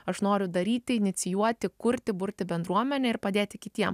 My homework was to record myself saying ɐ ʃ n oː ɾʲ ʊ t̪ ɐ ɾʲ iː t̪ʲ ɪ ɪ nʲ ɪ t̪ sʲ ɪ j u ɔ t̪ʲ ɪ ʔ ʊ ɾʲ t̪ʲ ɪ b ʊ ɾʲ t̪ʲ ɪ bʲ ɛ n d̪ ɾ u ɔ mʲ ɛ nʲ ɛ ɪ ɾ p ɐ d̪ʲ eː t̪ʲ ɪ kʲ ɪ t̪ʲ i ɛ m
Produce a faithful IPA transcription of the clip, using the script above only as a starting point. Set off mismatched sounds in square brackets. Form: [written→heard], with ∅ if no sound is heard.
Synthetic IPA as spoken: ɐ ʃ n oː ɾʲ ʊ [t̪→d̪] ɐ ɾʲ iː t̪ʲ ɪ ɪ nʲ ɪ t̪ sʲ ɪ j u ɔ t̪ʲ ɪ [ʔ→k] ʊ ɾʲ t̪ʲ ɪ b ʊ ɾʲ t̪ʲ ɪ bʲ ɛ n d̪ ɾ u ɔ mʲ ɛ nʲ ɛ ɪ ɾ p ɐ d̪ʲ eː t̪ʲ ɪ kʲ ɪ t̪ʲ i ɛ m